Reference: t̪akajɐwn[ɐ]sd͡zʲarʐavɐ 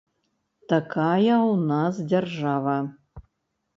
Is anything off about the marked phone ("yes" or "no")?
yes